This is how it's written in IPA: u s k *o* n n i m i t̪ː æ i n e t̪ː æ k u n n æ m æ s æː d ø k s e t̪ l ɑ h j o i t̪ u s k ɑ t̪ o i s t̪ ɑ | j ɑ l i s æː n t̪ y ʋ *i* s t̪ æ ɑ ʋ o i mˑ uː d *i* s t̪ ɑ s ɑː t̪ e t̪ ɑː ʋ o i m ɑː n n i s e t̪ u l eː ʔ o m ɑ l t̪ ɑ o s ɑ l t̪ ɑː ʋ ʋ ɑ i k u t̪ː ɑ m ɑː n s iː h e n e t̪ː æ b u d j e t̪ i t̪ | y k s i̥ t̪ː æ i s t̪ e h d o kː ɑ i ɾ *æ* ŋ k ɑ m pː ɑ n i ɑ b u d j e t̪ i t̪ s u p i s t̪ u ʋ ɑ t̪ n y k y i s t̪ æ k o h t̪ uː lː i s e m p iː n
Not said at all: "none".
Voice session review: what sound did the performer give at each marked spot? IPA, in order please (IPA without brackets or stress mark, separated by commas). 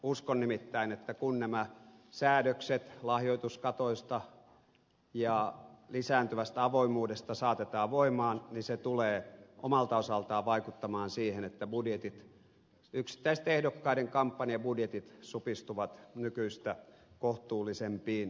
o, æ, e, e